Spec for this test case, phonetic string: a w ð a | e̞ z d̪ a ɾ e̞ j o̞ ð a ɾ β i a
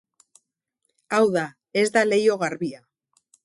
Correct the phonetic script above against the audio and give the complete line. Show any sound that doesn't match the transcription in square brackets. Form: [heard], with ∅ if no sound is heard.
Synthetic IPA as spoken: a w ð a | e̞ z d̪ a [l] e̞ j o̞ [ɣ] a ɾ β i a